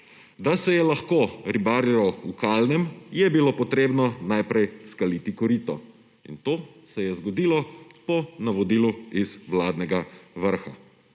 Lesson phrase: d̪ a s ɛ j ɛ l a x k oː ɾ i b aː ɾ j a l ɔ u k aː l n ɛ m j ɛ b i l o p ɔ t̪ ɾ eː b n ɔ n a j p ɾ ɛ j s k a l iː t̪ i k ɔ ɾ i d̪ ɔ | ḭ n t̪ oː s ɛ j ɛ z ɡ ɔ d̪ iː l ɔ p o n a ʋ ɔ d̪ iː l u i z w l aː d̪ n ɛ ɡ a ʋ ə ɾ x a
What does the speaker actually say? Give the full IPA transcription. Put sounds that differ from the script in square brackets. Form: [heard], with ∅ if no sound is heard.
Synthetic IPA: d̪ a s ɛ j ɛ l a x k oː ɾ i b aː ɾ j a l ɔ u k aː l n ɛ m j ɛ b i l o p ɔ t̪ ɾ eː b n ɔ n a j p ɾ ɛ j s k a l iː t̪ i k ɔ ɾ i [t̪] ɔ | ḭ n t̪ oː s ɛ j ɛ z ɡ ɔ d̪ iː l ɔ p [ɔ] n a ʋ ɔ d̪ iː l u i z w l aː d̪ n ɛ ɡ a ʋ ə ɾ x a